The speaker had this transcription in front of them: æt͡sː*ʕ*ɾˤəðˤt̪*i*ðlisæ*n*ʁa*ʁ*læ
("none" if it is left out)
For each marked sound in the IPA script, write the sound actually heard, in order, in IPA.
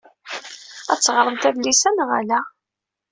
ʁ, æ, n, none

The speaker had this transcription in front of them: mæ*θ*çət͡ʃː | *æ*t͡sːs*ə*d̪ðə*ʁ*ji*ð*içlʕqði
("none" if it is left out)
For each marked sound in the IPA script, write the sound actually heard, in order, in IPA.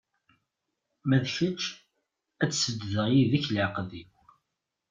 ð, æ, ə, ʁ, ð

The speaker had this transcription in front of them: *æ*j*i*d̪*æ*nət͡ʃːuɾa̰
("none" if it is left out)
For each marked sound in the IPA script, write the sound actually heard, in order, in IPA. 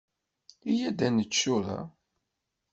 i, æ, æ

